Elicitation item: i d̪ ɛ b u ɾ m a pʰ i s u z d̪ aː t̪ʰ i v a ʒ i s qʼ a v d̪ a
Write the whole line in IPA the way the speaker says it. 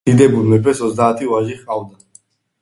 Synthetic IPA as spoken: i d̪ ɛ b u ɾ m ɛ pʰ ɛ s ɔ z d̪ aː t̪ʰ i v a ʒ i χ qʼ a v d̪ a